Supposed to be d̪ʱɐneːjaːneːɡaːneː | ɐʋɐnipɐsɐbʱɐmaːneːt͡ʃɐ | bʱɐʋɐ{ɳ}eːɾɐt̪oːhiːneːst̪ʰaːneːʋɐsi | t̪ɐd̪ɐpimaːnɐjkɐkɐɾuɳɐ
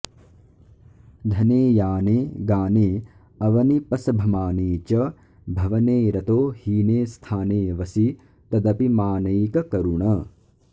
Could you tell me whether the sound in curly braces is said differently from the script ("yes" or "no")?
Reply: yes